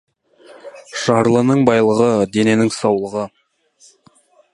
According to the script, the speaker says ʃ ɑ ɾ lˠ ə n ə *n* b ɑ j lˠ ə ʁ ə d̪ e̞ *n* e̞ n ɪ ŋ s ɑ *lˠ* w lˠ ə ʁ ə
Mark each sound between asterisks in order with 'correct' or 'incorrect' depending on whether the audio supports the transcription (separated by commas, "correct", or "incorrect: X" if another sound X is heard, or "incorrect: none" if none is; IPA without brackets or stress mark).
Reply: incorrect: ɴ, correct, incorrect: none